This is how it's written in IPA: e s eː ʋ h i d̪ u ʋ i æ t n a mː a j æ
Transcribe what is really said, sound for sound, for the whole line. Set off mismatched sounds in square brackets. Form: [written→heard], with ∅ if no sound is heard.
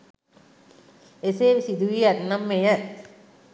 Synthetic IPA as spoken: e s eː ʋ [h→s] i d̪ u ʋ i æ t n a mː [a→e] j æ